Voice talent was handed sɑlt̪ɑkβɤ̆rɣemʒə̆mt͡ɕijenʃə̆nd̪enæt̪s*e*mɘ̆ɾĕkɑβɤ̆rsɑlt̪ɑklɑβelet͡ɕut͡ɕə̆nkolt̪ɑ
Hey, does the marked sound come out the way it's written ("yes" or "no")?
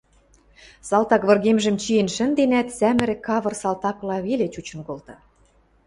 no